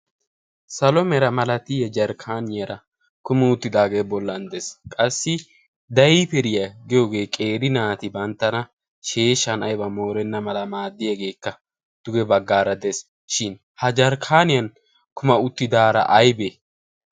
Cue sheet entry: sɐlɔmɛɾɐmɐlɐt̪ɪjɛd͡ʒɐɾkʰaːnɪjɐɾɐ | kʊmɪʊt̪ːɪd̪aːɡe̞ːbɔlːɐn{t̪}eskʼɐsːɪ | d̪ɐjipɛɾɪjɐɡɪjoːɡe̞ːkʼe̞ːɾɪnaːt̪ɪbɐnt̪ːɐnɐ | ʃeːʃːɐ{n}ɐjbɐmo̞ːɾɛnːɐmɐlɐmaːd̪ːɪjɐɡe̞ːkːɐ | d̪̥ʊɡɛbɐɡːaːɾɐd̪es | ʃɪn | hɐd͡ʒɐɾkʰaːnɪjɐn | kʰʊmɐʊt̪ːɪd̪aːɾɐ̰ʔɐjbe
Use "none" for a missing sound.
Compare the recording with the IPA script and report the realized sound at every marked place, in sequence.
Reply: d̪, n

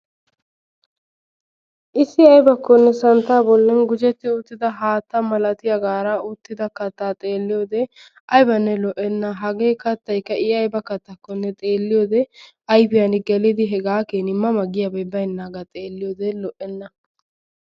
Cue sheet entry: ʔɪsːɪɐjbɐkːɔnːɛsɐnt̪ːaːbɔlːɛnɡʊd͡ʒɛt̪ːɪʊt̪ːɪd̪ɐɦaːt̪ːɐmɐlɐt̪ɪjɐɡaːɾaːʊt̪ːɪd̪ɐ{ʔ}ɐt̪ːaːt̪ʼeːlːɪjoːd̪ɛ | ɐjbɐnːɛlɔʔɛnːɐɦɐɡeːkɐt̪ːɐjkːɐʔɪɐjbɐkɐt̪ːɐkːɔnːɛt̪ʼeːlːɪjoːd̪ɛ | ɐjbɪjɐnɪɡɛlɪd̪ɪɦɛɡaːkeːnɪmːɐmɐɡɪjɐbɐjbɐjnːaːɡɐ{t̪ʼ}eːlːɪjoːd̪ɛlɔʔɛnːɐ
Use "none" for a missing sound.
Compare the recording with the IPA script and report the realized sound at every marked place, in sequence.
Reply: k, t̪ʼ

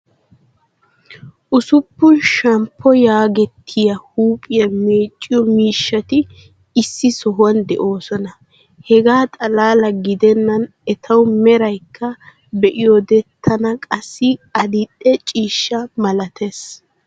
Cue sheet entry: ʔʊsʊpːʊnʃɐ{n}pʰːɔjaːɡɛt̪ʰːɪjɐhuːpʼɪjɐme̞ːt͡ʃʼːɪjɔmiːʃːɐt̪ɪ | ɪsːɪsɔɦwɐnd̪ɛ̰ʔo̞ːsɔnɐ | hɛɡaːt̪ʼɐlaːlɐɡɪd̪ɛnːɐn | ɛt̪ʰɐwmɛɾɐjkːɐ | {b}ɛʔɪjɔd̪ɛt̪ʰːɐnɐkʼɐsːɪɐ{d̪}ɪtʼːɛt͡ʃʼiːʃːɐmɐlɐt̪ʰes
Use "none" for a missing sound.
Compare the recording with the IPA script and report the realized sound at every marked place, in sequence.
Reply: m, b, d̪

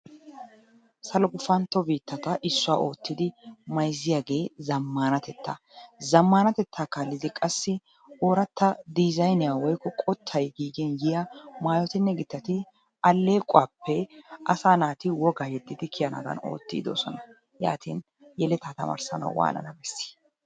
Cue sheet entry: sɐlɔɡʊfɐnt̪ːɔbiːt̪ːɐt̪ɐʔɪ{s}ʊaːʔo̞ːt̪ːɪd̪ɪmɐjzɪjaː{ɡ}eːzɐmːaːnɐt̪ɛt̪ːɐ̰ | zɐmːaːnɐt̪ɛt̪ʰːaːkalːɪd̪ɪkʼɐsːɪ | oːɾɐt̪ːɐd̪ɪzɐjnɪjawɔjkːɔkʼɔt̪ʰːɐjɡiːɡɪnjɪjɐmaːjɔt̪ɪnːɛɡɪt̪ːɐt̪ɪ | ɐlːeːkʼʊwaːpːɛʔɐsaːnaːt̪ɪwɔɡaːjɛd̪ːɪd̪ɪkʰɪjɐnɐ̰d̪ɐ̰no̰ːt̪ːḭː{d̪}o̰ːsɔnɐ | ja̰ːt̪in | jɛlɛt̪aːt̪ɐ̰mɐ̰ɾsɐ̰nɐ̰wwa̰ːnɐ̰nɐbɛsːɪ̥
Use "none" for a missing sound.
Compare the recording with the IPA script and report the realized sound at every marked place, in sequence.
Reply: sː, ɡ, d̪

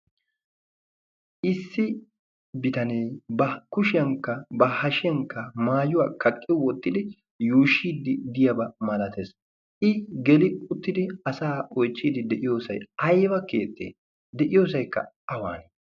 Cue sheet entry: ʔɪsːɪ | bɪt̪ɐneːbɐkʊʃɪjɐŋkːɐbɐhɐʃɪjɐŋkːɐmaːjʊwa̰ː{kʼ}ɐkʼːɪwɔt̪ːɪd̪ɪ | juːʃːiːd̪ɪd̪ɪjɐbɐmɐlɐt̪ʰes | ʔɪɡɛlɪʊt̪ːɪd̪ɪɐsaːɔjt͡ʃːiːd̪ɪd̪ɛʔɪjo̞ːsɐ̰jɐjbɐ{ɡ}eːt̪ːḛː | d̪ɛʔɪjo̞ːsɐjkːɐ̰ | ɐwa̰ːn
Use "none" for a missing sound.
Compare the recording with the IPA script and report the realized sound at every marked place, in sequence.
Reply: k, k

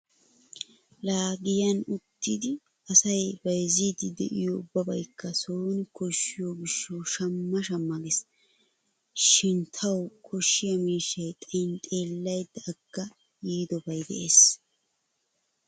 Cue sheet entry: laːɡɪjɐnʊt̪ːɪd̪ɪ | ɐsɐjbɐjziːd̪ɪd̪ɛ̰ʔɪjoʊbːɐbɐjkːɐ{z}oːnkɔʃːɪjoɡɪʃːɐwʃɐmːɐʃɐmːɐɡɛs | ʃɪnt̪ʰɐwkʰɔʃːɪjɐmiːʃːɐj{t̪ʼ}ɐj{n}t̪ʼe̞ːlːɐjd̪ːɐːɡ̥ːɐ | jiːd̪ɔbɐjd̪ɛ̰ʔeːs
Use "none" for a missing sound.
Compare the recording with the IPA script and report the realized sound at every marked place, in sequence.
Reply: s, t̪ʼ, n

